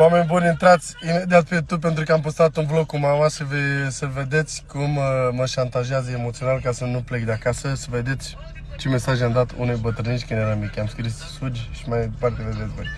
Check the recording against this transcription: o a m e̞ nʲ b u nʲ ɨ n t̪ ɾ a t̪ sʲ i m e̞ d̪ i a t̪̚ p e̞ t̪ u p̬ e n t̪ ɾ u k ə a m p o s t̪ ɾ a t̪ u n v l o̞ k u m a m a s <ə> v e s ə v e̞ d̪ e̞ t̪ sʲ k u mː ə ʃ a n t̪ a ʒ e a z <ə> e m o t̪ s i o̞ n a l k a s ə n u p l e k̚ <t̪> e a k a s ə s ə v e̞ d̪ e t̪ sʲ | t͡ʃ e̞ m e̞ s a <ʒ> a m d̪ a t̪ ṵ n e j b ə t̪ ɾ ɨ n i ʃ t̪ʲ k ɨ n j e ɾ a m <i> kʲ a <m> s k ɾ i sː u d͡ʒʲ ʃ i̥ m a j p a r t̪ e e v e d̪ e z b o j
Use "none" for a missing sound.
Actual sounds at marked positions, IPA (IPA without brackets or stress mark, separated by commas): ə, ə, d̪, ʒ, i, m